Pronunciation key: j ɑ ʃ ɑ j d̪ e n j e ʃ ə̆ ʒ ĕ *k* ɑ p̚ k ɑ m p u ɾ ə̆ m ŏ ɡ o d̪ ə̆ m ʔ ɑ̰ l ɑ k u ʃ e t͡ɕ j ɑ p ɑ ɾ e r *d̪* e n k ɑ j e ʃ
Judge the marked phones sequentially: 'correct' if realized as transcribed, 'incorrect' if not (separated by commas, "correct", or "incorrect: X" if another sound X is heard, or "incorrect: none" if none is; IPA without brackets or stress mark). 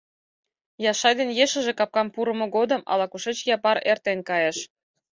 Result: correct, incorrect: t̪